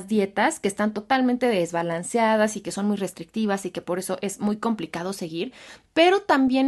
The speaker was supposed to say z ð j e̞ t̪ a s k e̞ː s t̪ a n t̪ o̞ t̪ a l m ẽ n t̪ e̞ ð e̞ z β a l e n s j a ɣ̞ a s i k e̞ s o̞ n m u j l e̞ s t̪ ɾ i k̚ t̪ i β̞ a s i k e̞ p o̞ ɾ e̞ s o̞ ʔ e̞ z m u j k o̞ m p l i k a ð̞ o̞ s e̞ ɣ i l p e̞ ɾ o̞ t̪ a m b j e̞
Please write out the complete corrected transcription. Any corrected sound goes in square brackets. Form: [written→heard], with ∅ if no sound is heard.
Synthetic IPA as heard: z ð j e̞ t̪ a s k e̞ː s t̪ a n t̪ o̞ t̪ a l m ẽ n t̪ e̞ ð e̞ z β a l [e→a] n s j a [ɣ̞→ð̞] a s i k e̞ s o̞ n m u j [l→r] e̞ s t̪ ɾ i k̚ t̪ i β̞ a s i k e̞ p o̞ ɾ e̞ s o̞ ʔ e̞ z m u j k o̞ m p l i k a ð̞ o̞ s e̞ ɣ i [l→ɾ] p e̞ ɾ o̞ t̪ a m b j e̞